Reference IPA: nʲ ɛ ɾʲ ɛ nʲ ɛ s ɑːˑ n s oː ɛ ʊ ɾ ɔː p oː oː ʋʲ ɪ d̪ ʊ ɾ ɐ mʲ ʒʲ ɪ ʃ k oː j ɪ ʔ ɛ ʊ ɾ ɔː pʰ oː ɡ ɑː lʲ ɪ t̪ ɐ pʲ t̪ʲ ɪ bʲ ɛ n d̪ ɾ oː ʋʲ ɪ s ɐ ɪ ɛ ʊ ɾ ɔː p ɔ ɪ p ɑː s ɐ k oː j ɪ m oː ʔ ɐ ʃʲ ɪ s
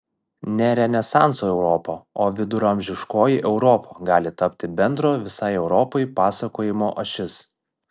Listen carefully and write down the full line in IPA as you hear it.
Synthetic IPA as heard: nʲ ɛ ɾʲ ɛ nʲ ɛ s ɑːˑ n s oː ɛ ʊ ɾ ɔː p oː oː ʋʲ ɪ d̪ ʊ ɾ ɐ mʲ ʒʲ ɪ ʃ k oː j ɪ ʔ ɛ ʊ ɾ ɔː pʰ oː ɡ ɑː lʲ ɪ t̪ ɐ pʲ t̪ʲ ɪ bʲ ɛ n d̪ ɾ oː ʋʲ ɪ s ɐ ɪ ɛ ʊ ɾ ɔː p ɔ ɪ p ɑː s ɐ k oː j ɪ m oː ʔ ɐ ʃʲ ɪ s